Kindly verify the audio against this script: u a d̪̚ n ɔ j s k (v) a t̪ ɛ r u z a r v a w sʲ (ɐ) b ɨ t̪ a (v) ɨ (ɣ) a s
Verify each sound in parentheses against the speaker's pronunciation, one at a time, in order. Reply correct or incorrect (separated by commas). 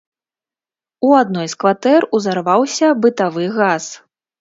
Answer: correct, correct, correct, correct